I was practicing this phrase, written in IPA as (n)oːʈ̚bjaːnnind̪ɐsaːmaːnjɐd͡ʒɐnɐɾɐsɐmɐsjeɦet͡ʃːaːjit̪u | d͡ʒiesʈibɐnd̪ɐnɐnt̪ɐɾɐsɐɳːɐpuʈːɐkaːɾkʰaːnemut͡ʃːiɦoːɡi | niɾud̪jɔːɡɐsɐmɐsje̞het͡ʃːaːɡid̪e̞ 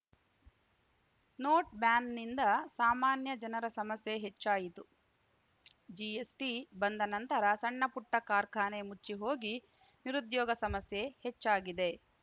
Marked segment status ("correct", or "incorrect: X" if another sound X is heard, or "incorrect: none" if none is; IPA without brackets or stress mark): correct